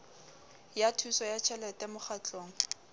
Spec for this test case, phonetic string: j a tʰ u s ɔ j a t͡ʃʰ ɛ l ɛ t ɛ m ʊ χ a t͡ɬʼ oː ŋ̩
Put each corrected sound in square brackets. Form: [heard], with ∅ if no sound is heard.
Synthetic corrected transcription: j a tʰ u s ɔ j a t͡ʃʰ ɛ l ɛ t ɛ m ʊ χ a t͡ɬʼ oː ŋ̩